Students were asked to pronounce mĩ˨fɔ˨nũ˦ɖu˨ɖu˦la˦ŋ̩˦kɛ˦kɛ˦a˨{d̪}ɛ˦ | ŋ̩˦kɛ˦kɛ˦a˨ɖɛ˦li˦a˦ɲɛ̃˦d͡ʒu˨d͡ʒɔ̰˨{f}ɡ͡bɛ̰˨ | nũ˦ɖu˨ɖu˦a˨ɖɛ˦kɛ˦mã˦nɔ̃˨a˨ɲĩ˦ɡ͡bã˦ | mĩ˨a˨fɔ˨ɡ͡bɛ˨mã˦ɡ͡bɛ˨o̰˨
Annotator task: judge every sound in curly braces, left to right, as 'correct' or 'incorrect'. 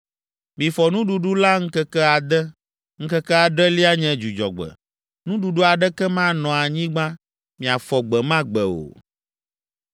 correct, incorrect: none

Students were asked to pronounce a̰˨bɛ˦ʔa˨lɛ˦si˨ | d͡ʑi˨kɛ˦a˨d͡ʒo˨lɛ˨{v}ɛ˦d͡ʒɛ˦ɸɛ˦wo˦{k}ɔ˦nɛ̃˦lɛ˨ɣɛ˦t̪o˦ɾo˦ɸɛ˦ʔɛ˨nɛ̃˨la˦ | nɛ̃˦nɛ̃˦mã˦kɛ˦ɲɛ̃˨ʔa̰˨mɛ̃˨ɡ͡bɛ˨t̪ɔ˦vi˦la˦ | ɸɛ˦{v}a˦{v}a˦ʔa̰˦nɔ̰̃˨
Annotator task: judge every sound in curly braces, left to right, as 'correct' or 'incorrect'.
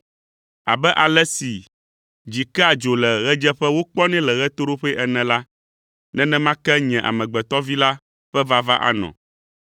incorrect: ɣ, incorrect: k͡p, correct, correct

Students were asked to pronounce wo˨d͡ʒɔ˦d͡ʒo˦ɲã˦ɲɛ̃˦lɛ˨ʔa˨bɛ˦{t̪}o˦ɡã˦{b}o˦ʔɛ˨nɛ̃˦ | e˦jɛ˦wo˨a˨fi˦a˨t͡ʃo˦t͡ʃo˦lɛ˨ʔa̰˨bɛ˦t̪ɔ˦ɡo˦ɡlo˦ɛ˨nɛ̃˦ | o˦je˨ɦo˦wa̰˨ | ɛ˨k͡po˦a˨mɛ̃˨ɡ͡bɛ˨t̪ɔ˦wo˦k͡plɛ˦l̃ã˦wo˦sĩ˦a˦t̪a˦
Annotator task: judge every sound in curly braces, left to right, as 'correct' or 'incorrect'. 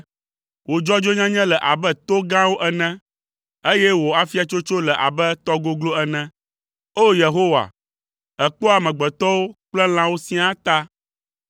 correct, incorrect: w

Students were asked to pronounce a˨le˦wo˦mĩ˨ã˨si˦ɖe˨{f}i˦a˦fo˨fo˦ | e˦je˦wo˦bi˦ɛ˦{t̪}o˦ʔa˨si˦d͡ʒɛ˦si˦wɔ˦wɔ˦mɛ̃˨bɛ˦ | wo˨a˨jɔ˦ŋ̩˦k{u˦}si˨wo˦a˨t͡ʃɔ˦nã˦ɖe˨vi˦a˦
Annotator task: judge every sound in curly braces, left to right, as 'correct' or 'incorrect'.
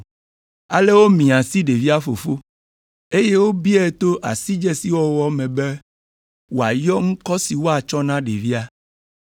incorrect: v, correct, incorrect: ɔ˦

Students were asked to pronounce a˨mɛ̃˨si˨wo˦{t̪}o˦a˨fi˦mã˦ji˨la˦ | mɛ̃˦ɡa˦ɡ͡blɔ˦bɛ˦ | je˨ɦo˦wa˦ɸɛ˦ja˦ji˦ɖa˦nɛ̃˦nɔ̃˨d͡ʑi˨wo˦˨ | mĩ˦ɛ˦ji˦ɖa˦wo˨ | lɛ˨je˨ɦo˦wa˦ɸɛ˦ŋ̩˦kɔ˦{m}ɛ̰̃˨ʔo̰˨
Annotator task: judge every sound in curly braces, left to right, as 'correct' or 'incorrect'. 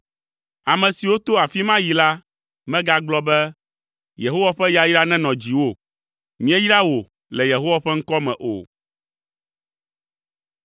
correct, correct

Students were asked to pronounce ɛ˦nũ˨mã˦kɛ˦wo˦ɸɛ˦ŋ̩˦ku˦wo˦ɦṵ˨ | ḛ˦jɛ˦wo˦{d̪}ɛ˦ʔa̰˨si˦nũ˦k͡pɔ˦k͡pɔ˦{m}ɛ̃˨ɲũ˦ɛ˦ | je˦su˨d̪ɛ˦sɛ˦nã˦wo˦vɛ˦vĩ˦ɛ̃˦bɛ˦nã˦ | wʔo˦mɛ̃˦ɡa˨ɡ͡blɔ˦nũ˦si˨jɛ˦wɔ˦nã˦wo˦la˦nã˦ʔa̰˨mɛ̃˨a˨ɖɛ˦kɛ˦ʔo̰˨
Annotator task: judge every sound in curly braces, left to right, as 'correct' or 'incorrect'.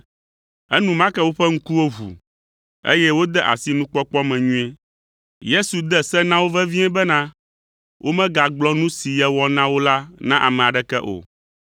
correct, correct

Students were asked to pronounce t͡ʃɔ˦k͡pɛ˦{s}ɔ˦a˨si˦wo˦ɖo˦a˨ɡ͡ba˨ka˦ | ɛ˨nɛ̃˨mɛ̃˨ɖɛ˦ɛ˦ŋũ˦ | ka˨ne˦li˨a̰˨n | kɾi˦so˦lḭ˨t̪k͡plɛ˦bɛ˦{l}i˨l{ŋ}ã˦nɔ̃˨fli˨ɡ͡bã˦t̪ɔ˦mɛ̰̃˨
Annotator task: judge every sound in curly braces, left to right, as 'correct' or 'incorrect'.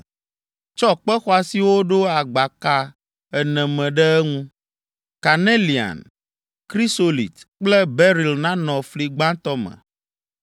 incorrect: x, incorrect: ɾ, incorrect: n

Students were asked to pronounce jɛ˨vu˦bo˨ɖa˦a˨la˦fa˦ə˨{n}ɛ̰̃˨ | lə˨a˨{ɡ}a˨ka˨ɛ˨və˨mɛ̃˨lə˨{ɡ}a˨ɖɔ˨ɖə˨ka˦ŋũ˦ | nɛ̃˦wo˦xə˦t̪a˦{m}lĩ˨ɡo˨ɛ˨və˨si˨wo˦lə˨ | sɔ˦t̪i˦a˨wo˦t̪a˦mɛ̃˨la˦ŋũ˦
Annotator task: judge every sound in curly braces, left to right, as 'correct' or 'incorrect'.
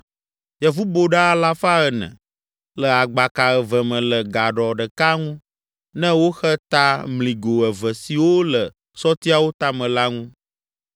correct, incorrect: ɡ͡b, correct, correct

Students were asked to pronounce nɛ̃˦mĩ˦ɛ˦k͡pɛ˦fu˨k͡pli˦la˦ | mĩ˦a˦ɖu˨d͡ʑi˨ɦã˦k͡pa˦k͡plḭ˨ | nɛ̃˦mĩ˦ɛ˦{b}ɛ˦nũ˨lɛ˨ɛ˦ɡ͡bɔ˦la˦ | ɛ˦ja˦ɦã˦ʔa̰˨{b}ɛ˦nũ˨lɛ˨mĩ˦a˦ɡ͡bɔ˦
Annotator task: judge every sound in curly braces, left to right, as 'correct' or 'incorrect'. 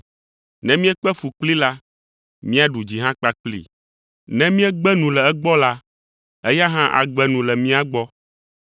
incorrect: ɡ͡b, incorrect: ɡ͡b

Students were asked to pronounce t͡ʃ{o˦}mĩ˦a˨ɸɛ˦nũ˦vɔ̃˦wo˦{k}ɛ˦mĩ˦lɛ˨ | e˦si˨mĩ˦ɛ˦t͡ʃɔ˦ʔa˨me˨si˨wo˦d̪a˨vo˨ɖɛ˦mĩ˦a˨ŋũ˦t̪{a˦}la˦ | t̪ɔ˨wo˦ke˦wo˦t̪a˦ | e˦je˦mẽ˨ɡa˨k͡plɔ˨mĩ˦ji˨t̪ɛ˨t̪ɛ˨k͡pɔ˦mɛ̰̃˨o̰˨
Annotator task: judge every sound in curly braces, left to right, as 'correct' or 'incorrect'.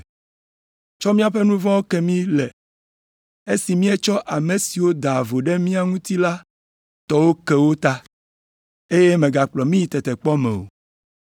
incorrect: ɔ˦, correct, incorrect: i˦

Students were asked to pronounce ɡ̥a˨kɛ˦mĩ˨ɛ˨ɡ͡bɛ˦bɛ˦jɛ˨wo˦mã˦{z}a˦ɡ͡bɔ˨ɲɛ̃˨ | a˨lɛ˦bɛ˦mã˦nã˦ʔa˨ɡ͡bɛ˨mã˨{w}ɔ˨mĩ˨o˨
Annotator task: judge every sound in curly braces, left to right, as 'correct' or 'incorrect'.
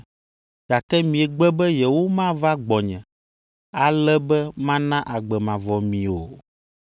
incorrect: v, incorrect: v

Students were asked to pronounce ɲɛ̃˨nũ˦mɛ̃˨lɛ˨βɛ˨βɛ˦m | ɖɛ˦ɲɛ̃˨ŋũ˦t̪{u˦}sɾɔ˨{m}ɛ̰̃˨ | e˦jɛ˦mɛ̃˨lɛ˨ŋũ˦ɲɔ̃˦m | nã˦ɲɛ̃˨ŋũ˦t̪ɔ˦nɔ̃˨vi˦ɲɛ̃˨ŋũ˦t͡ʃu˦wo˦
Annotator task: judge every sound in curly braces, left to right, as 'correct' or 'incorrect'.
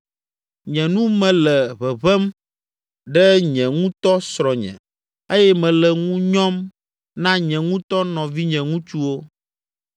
incorrect: ɔ˦, incorrect: ɲ

